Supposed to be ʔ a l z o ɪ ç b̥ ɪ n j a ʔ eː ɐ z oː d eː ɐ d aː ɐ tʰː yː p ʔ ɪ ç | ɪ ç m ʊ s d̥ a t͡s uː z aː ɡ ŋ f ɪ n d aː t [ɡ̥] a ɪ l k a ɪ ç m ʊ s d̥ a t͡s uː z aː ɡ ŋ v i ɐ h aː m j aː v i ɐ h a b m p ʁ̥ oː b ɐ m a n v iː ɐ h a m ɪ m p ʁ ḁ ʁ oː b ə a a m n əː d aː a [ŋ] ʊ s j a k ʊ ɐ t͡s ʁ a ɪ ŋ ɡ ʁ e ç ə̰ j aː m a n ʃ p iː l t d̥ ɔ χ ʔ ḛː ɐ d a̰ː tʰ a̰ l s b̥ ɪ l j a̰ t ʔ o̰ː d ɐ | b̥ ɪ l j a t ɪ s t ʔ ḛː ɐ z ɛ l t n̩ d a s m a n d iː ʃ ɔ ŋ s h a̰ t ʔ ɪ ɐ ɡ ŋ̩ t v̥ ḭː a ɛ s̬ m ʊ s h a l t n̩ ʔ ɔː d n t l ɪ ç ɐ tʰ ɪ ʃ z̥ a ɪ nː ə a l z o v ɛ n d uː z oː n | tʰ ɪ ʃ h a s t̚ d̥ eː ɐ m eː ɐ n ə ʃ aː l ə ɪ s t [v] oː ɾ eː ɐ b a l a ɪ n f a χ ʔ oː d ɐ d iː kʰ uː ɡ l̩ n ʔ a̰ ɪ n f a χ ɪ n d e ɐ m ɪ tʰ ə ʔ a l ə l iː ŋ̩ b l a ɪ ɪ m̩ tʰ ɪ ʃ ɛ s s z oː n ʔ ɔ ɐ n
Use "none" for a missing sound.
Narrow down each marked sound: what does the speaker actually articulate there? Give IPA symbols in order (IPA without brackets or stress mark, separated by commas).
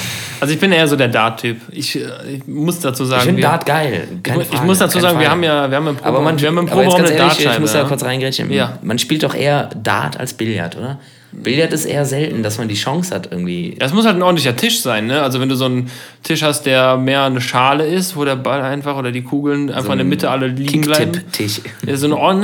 ɡ̥, m, v